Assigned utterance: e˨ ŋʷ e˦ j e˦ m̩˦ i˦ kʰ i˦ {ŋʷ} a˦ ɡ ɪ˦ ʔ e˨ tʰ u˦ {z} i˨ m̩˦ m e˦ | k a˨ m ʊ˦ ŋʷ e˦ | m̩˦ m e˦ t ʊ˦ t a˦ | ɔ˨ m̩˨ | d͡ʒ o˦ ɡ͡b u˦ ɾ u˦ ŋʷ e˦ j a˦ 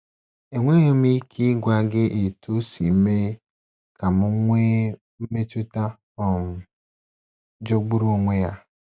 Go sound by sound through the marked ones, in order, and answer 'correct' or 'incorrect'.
incorrect: ɡʷ, incorrect: s

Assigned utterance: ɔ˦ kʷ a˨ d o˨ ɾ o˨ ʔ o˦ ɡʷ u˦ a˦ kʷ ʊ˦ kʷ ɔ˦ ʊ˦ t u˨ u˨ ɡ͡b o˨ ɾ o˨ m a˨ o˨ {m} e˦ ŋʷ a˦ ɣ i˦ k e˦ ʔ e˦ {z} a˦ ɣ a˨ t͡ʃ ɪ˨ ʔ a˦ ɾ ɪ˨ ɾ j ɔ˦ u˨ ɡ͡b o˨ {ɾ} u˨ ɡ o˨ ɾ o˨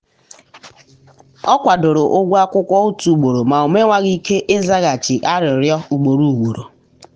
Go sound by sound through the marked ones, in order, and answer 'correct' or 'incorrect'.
correct, correct, correct

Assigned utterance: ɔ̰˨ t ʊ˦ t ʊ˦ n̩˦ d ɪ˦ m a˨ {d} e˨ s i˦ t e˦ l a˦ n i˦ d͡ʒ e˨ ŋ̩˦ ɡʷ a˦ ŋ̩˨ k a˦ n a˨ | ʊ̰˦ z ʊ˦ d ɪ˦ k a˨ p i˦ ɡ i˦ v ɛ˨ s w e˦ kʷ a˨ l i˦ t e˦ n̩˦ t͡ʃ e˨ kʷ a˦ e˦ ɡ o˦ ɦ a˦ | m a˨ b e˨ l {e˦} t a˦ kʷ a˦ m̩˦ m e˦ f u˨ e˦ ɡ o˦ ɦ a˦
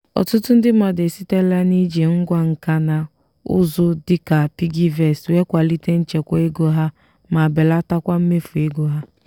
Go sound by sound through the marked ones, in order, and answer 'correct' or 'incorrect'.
correct, incorrect: a˦

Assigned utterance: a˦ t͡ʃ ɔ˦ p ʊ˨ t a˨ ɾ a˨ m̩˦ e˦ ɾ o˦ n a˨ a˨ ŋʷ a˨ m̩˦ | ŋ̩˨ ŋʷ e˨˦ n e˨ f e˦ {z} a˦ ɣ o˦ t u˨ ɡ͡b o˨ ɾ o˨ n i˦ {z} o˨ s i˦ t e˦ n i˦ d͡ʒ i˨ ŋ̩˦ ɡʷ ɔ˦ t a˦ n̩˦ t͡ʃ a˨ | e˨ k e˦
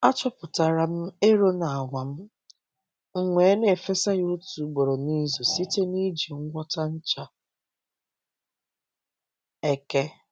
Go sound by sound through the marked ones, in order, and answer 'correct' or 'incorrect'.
incorrect: s, correct

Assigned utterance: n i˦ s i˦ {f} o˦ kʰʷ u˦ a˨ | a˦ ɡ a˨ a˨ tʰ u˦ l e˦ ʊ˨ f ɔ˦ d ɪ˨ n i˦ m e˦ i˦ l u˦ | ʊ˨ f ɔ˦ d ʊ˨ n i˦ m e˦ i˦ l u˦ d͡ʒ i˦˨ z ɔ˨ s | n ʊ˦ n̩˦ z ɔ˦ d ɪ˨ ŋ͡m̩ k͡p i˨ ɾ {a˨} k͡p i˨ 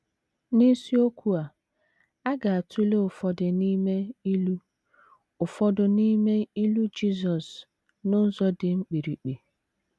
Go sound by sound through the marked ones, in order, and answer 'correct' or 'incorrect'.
incorrect: none, incorrect: i˨

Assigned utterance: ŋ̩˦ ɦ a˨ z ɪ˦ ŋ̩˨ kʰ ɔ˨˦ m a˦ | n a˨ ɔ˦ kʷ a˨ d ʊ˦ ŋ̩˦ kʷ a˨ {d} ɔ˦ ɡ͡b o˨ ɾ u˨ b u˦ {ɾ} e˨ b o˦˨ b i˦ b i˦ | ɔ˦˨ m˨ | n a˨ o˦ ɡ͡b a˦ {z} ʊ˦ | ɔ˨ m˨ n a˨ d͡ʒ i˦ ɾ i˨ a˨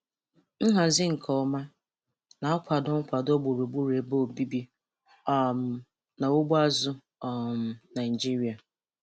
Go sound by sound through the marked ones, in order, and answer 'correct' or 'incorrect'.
correct, correct, correct

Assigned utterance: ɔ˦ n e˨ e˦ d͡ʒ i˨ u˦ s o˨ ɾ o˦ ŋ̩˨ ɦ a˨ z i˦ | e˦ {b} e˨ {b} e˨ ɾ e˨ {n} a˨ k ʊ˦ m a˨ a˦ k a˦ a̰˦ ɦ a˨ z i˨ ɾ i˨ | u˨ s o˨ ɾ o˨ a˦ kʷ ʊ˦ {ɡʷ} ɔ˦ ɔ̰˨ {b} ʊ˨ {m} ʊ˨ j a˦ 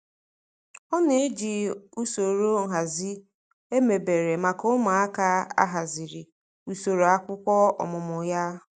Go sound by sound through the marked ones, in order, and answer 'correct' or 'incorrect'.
incorrect: m, correct, incorrect: m, incorrect: kʷ, incorrect: m, correct

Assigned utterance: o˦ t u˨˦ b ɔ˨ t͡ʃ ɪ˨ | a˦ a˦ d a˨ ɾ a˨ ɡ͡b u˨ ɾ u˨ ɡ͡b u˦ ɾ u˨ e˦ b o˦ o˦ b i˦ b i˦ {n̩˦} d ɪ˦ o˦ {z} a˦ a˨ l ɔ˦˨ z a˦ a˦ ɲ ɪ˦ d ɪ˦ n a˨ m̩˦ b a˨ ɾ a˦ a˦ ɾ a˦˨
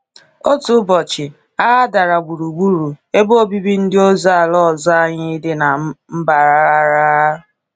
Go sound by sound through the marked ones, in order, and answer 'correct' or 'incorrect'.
correct, correct

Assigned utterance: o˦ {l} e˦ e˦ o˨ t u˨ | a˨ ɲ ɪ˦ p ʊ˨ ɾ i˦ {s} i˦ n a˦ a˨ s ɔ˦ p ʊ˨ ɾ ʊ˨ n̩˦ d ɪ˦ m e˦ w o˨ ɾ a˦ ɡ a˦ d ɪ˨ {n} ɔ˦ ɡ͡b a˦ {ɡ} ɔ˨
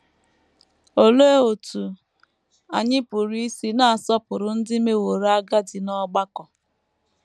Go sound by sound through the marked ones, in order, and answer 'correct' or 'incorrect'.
correct, correct, correct, incorrect: k

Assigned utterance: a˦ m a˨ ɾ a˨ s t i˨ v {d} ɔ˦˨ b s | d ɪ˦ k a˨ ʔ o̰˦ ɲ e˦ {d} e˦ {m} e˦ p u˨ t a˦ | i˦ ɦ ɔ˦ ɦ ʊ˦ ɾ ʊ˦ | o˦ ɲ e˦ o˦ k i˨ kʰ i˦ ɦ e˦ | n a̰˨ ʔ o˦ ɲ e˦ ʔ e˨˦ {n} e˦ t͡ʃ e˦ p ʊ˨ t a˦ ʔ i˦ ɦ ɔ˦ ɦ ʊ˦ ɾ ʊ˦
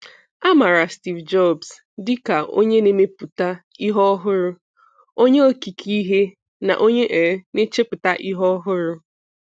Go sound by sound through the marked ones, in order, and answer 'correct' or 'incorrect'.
incorrect: d͡ʒ, incorrect: n, correct, correct

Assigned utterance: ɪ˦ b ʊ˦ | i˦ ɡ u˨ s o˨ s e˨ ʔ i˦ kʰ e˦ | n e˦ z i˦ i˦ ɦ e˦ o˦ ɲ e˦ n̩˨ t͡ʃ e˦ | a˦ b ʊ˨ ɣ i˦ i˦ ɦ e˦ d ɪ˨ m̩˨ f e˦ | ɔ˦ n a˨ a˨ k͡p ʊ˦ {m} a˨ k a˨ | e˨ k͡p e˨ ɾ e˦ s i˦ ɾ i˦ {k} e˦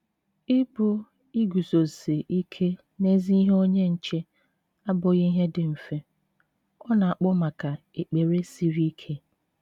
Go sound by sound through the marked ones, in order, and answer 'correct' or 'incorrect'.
correct, incorrect: kʰ

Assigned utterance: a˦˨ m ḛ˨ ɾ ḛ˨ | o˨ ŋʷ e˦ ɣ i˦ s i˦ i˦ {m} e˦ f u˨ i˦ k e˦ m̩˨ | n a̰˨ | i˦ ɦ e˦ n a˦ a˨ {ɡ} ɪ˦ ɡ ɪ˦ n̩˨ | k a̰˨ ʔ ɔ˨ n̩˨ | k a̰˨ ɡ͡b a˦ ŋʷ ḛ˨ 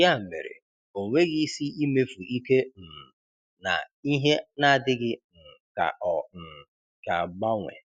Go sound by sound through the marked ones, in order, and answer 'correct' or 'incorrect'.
correct, incorrect: d

